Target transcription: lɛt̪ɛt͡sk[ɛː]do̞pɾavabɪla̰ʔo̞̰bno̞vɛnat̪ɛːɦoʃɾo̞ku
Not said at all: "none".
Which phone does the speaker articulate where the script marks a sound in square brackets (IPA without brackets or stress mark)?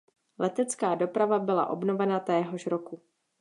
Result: aː